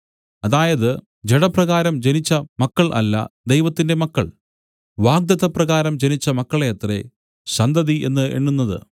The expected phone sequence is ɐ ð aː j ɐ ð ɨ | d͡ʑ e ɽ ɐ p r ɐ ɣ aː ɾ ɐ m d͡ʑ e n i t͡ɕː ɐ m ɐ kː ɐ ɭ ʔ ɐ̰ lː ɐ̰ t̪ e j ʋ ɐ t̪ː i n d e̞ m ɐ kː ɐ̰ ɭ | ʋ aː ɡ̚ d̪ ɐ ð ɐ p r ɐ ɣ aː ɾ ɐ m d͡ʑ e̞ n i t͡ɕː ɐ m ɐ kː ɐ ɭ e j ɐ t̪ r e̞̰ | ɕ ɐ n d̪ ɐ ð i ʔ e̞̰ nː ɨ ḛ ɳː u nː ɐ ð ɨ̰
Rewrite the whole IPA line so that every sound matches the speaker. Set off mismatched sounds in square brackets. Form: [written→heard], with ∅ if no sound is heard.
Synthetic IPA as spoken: ɐ ð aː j ɐ ð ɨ | d͡ʑ e ɽ ɐ p r ɐ ɣ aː ɾ ɐ m d͡ʑ e n i t͡ɕː ɐ m ɐ kː ɐ ɭ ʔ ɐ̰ lː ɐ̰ [t̪→d̪] e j ʋ ɐ t̪ː i n d e̞ m ɐ kː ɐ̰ ɭ | ʋ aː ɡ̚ d̪ ɐ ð ɐ p r ɐ ɣ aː ɾ ɐ m d͡ʑ e̞ n i t͡ɕː ɐ m ɐ kː ɐ ɭ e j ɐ t̪ r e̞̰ | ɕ ɐ n d̪ ɐ ð i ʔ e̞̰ nː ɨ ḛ ɳː u nː ɐ ð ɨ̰